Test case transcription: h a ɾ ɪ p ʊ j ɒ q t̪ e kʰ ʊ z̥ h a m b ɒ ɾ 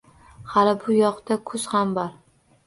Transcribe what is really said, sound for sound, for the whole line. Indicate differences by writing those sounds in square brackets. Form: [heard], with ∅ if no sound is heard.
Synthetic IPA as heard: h a [l] ɪ [b] ʊ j ɒ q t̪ [a] kʰ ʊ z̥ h a m b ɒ ɾ